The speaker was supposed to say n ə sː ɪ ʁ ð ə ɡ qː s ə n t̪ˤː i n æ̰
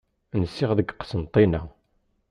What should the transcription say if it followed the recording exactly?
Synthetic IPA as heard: n ə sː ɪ ʁ ð ə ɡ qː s ə n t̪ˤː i n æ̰